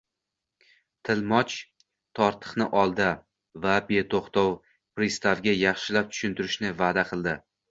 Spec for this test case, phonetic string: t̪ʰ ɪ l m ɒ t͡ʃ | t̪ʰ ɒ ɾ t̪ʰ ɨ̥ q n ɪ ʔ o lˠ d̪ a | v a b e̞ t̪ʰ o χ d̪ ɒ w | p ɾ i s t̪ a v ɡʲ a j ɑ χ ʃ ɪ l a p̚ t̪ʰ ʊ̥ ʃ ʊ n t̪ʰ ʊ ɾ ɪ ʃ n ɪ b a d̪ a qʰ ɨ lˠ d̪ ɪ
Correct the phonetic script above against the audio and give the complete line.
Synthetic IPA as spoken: t̪ʰ ɪ l m ɒ t͡ʃ | t̪ʰ ɒ ɾ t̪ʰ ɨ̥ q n ɪ ʔ ɒ lˠ d̪ a | v a b e̞ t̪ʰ o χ t̪ ɒ w | p ɾ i s t̪ a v ɡʲ a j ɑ χ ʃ ɪ l a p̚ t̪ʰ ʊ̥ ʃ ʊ n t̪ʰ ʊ ɾ ɪ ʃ n ɪ v a d̪ a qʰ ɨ lˠ d̪ ɪ